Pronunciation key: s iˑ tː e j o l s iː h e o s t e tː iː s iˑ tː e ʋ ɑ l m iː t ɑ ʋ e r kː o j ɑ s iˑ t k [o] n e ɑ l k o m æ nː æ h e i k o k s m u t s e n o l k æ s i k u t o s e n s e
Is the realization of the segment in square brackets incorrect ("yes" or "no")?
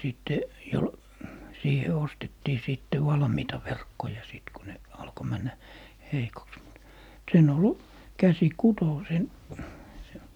yes